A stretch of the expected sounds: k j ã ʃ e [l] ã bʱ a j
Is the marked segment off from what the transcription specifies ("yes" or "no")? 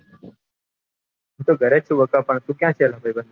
no